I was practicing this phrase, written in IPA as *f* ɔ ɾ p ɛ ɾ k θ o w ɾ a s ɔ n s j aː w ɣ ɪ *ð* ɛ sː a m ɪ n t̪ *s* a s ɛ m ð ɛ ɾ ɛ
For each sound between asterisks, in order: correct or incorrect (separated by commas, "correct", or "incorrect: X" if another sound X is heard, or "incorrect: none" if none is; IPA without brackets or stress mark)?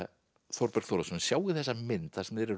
incorrect: θ, incorrect: θ, incorrect: θ